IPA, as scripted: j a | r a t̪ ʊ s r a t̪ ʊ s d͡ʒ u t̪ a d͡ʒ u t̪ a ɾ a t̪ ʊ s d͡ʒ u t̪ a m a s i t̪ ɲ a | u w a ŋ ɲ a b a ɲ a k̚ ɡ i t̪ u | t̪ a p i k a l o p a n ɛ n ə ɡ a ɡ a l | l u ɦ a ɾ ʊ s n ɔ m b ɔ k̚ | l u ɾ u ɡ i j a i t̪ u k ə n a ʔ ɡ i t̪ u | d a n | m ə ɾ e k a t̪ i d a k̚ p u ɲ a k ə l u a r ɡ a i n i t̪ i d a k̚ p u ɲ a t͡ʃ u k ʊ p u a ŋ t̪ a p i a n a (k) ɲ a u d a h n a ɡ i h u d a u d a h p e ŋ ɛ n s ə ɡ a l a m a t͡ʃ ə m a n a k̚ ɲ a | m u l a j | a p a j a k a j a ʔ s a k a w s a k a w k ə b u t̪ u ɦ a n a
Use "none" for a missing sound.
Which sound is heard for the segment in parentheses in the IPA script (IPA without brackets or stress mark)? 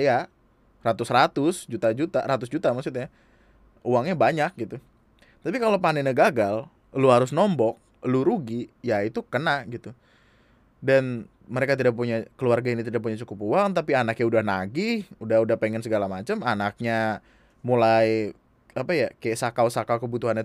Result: k